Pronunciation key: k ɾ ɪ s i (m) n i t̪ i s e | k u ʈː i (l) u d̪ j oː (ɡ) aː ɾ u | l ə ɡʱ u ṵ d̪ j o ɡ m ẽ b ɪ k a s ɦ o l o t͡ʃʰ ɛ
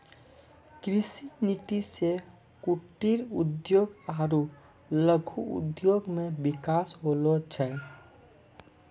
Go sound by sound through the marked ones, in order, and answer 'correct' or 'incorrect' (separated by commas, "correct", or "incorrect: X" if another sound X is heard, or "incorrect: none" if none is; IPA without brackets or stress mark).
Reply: incorrect: none, incorrect: ɾ, correct